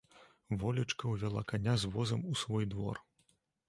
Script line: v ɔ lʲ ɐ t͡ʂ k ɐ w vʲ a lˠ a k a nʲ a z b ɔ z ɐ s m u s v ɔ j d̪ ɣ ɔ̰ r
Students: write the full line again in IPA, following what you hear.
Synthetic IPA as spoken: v ɔ lʲ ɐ t͡ʂ k ɐ w vʲ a lˠ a k a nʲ a z v ɔ z ɐ m u s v ɔ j d̪ v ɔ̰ r